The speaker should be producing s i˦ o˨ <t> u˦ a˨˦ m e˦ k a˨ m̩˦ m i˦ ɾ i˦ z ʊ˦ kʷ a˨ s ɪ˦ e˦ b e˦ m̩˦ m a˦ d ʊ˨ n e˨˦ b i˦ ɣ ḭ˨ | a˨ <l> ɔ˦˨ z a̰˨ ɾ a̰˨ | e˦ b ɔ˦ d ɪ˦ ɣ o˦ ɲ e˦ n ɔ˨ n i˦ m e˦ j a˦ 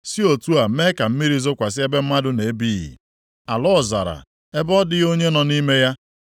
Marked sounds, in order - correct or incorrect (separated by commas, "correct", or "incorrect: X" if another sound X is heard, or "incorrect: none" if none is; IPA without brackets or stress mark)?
correct, correct